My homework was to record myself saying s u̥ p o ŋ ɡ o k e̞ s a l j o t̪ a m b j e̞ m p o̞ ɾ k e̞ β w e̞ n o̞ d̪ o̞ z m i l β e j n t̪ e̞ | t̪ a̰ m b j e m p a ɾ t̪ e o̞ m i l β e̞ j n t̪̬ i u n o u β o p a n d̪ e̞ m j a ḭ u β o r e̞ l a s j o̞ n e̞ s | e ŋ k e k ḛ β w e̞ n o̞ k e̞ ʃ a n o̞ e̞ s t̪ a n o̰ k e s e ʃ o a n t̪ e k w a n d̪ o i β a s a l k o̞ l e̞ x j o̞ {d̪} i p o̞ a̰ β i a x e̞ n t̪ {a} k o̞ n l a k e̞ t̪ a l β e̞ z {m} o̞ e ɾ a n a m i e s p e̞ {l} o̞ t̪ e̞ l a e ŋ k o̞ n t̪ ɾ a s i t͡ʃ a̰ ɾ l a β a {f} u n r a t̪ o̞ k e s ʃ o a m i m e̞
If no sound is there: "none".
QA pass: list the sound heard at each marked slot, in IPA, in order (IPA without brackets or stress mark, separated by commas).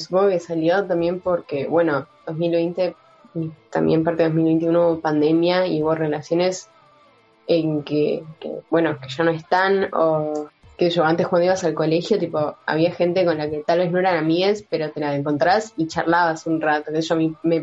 t̪, e, n, ɾ, s